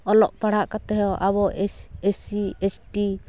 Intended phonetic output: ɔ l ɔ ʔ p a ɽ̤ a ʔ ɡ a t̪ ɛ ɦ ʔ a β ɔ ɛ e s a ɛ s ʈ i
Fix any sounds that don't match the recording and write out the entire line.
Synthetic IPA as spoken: ɔ l ɔ ʔ p a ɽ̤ a ʔ k a t̪ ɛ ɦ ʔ a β ɔ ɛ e s i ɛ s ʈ i